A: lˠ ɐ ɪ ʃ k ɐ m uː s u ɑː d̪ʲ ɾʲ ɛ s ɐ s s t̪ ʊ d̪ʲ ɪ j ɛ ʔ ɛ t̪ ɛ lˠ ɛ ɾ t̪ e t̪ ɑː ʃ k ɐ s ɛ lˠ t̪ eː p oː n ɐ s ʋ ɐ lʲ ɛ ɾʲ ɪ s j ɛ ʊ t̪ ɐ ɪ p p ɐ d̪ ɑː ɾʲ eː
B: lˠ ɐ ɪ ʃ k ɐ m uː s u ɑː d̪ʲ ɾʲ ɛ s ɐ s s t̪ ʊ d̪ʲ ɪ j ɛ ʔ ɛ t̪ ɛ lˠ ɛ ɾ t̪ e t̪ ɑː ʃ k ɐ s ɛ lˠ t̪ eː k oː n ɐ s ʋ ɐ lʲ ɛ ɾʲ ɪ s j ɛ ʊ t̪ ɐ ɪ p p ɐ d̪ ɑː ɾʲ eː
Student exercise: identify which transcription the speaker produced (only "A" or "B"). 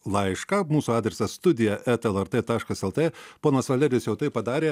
A